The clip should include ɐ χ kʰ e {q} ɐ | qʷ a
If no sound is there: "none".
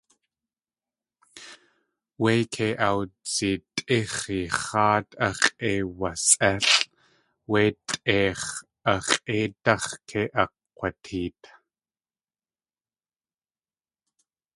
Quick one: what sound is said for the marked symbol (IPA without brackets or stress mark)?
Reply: ʔ